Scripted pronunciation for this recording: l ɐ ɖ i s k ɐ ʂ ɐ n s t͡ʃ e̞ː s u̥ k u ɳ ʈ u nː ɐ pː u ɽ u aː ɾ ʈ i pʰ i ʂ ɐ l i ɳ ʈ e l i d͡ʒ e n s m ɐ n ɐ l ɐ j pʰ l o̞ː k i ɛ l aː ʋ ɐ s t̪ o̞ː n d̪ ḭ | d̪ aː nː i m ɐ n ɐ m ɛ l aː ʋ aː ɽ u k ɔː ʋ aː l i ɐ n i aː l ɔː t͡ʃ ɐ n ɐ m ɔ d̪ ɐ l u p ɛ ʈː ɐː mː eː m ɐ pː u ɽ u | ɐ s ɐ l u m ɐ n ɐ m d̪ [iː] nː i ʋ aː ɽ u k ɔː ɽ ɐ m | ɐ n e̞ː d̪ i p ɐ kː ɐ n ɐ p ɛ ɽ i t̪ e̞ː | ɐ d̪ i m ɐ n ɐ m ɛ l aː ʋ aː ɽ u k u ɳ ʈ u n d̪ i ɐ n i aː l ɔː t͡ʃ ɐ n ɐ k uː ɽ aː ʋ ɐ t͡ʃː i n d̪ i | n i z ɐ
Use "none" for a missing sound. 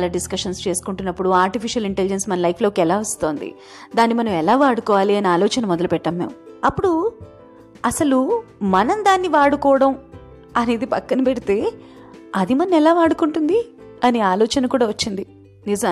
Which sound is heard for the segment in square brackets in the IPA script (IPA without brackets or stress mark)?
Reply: aː